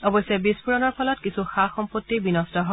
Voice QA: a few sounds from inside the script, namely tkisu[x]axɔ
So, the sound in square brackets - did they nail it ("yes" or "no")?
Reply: yes